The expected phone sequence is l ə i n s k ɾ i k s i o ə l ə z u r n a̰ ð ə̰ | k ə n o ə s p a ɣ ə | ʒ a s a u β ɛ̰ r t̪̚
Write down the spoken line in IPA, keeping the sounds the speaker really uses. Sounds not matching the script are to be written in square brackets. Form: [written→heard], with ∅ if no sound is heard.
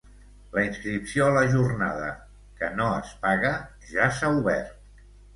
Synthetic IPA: l ə i n s k ɾ i [k→p] s i o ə l ə [z→ʒ] u r n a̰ ð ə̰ | k ə n o ə s p a ɣ ə | ʒ a s a u β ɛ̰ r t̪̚